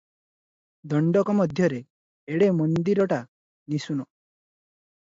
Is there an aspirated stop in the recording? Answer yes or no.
no